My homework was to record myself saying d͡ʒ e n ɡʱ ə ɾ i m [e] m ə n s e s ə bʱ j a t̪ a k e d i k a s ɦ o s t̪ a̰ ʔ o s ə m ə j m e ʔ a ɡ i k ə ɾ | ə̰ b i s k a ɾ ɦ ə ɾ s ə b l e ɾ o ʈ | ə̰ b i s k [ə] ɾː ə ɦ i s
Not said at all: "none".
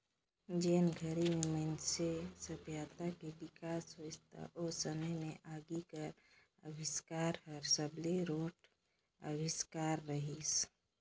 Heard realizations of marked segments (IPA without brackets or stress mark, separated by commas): e, a